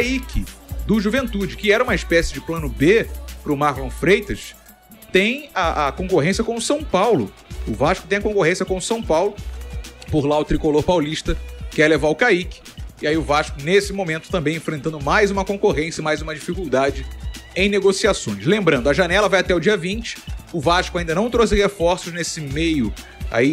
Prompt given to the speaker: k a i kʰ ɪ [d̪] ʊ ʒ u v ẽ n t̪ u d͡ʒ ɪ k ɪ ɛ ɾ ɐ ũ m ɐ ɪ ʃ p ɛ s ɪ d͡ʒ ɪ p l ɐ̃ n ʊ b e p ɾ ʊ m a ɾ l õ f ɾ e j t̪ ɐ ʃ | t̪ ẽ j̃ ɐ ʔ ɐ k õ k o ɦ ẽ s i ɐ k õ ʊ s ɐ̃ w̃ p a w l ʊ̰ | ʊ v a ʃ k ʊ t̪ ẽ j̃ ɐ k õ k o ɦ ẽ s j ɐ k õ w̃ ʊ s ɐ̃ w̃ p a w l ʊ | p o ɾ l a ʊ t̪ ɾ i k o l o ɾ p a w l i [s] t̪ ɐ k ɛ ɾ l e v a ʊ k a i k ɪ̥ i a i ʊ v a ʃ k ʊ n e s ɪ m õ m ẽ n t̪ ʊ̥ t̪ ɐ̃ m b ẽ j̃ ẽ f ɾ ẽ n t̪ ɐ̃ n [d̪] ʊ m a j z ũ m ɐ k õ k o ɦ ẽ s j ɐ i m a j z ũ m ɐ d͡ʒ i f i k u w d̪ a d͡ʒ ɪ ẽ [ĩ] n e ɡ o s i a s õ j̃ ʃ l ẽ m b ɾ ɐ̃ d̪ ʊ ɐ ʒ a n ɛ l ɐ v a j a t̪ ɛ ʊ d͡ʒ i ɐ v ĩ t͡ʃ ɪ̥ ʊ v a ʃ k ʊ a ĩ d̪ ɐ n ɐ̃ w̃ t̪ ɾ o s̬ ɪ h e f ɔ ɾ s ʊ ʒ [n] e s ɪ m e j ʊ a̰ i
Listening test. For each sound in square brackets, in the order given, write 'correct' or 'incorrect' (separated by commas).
correct, incorrect, correct, incorrect, correct